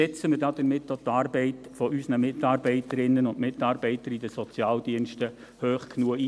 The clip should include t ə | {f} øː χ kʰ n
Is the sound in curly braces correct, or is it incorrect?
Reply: incorrect